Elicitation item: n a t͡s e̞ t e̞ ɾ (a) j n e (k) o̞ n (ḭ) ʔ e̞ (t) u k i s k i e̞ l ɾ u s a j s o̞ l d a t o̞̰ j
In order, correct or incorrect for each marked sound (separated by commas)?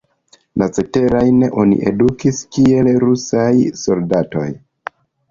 correct, incorrect, correct, incorrect